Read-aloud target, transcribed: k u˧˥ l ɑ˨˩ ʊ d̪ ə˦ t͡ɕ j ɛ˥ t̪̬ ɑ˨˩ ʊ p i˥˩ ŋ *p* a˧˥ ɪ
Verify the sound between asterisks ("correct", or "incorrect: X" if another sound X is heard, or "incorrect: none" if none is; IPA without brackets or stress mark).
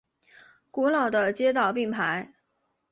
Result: incorrect: pʰ